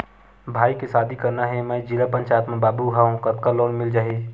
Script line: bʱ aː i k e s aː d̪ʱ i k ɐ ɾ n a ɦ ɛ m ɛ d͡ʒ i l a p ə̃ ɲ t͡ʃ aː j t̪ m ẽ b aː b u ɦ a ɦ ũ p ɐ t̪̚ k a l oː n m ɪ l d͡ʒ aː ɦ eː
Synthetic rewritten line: bʱ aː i k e s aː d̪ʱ i k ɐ ɾ n a ɦ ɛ m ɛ d͡ʒ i l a p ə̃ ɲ t͡ʃ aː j t̪ m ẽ b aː b u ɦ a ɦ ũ k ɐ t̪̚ k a l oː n m ɪ l d͡ʒ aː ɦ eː